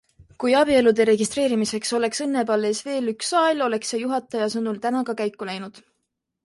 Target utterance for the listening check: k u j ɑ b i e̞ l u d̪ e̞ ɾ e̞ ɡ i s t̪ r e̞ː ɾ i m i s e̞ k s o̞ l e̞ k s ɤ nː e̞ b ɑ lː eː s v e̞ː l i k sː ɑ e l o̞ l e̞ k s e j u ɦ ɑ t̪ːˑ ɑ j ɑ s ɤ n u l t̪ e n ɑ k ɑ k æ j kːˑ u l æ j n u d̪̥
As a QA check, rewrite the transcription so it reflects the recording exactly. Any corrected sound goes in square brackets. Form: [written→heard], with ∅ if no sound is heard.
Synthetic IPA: k u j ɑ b i e̞ l u d̪ e̞ ɾ e̞ ɡ i s t̪ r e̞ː ɾ i m i s e̞ k s o̞ l e̞ k s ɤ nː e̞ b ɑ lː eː s v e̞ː l [i→y] k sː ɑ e l o̞ l e̞ k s e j u ɦ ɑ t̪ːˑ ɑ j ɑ s ɤ n u l t̪ [e→æ] n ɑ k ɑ k æ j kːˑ u l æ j n u d̪̥